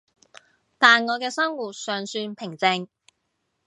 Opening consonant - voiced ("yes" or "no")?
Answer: no